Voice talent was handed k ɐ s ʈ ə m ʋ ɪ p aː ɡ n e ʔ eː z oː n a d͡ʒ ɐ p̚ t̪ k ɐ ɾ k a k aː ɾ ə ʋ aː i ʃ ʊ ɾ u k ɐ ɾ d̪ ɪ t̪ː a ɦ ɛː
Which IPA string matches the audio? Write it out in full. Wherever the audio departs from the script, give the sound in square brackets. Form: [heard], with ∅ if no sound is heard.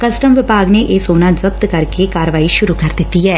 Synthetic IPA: k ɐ s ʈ ə m ʋ ɪ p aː ɡ n e ʔ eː [s] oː n a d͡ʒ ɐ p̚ t̪ k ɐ ɾ k [e] k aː ɾ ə ʋ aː i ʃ ʊ ɾ u k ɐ ɾ d̪ ɪ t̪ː [i] ɦ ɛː